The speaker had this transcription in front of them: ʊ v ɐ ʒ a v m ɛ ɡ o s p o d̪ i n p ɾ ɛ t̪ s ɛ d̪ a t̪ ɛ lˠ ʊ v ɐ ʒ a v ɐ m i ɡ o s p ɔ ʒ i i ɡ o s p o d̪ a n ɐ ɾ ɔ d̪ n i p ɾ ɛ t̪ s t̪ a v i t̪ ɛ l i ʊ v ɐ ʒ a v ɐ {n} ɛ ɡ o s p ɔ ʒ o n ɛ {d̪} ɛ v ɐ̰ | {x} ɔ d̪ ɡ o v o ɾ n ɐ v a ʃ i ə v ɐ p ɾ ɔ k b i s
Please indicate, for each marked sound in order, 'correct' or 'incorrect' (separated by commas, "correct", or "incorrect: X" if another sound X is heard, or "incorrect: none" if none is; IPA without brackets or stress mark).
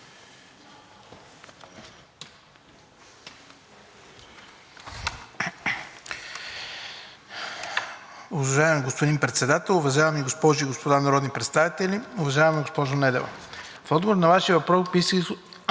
incorrect: m, correct, incorrect: f